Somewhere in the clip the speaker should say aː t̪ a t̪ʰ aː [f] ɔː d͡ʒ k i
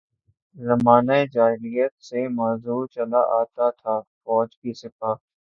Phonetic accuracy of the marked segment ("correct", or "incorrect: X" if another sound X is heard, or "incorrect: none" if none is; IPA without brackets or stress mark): correct